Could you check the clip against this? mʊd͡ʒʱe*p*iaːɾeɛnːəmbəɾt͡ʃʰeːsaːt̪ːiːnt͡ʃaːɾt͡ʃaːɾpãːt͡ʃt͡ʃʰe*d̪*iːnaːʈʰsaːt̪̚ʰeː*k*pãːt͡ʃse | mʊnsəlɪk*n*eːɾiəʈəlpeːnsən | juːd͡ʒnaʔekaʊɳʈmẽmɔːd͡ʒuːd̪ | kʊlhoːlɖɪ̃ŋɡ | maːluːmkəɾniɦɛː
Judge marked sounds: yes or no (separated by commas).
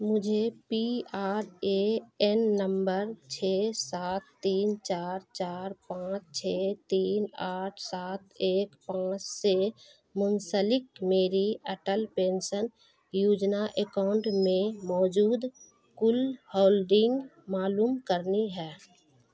yes, no, yes, no